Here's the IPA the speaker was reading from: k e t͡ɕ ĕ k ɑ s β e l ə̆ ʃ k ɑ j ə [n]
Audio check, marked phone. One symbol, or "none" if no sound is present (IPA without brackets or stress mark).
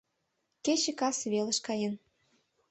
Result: n